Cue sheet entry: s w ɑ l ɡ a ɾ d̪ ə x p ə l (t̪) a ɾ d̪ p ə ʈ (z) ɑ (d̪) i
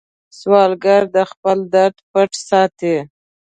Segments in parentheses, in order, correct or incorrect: incorrect, incorrect, incorrect

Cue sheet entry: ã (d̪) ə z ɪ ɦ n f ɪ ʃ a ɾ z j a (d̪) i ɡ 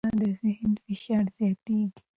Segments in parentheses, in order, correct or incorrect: correct, incorrect

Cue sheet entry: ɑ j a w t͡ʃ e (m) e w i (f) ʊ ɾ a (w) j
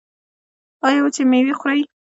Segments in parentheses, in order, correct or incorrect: correct, incorrect, incorrect

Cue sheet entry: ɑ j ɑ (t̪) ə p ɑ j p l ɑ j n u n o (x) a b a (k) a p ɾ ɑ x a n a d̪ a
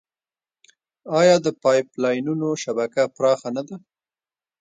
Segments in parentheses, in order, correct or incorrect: incorrect, incorrect, correct

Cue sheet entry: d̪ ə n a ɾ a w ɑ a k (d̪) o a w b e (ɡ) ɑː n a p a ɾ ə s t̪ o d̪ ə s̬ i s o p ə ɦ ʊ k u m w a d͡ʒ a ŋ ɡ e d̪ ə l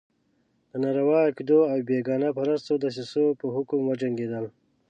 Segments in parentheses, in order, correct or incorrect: correct, correct

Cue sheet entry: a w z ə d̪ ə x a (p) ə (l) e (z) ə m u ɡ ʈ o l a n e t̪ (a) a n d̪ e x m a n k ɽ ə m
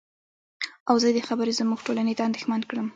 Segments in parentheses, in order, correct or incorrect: incorrect, incorrect, correct, correct

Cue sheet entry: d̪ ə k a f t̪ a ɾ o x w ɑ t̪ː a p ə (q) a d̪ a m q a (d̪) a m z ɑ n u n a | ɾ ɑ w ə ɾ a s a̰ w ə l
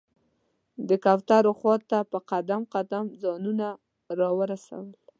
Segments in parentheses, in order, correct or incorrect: correct, correct

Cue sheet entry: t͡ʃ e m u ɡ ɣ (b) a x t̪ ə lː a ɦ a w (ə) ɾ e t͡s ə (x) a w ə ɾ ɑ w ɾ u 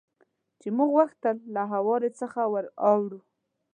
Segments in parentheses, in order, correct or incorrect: incorrect, incorrect, correct

